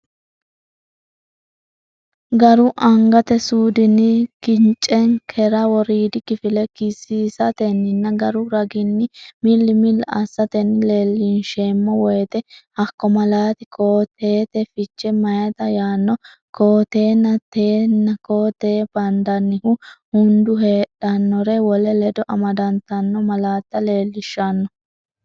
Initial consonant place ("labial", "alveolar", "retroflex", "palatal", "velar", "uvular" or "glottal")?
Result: velar